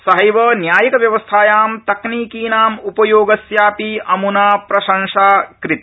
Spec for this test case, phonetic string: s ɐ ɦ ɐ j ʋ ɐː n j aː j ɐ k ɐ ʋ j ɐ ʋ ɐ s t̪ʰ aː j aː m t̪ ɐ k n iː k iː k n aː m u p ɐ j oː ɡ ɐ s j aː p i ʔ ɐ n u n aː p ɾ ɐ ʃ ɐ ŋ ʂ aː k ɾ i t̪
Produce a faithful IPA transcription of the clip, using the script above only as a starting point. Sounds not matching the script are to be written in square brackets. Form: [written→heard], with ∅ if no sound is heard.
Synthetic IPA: s ɐ ɦ ɐ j ʋ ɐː n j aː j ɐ k ɐ ʋ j ɐ ʋ ɐ s t̪ʰ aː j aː m t̪ ɐ k n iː k iː [k→∅] n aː m u p ɐ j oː ɡ ɐ s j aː p i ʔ ɐ [n→m] u n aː p ɾ ɐ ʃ ɐ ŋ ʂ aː k ɾ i t̪